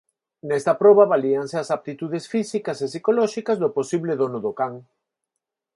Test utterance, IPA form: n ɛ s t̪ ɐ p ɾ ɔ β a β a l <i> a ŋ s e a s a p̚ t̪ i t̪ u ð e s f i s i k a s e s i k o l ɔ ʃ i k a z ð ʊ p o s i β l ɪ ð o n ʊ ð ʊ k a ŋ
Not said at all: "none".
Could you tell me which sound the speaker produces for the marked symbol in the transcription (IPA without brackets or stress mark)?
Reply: i